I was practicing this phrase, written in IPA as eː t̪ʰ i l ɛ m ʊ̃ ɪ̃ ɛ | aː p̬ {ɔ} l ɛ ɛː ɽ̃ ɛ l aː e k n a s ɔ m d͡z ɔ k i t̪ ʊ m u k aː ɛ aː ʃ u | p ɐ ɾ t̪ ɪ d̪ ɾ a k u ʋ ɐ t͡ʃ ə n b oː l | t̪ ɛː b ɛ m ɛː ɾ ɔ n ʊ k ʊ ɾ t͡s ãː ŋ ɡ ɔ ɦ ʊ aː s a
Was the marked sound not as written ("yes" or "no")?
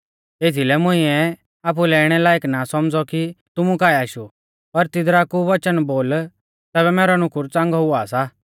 yes